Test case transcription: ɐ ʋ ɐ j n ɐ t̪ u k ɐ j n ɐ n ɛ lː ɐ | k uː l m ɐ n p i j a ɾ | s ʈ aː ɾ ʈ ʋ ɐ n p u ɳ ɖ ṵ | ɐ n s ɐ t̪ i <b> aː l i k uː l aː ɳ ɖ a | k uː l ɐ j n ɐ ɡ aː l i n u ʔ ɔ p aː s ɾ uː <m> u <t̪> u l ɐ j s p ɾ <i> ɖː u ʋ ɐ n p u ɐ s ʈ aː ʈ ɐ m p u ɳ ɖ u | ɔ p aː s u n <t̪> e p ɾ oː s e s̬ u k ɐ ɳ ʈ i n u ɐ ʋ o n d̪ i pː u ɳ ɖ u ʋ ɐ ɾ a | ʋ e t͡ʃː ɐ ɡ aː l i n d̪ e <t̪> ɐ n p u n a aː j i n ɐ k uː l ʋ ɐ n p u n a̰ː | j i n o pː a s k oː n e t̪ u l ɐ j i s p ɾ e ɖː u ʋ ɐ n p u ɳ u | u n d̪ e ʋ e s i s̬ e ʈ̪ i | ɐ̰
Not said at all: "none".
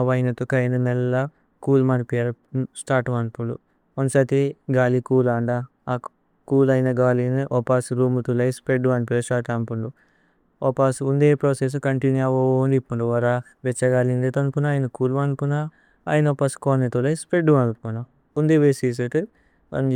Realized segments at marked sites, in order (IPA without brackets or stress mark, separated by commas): ɡ, m, t̪, e, d̪, t̪